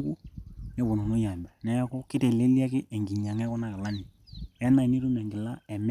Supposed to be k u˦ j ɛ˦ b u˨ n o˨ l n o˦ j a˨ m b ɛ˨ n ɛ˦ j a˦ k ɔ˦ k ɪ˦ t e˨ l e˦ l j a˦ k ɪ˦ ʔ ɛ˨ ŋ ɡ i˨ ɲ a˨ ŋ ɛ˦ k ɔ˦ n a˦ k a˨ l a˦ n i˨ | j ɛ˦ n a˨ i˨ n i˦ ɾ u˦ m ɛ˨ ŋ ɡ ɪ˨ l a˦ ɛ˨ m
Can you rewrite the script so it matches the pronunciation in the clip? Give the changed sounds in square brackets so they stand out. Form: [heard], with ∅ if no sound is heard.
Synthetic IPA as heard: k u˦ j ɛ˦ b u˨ n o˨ [∅] n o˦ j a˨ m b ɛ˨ n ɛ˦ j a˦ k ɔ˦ k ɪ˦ t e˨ l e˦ l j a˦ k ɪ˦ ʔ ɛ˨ ŋ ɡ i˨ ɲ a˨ ŋ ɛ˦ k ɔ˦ n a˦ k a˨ l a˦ n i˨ | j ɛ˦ n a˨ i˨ n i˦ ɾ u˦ m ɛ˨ ŋ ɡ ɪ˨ l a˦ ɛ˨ m